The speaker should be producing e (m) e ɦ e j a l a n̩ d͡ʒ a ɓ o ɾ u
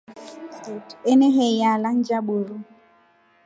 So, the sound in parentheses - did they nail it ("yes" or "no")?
no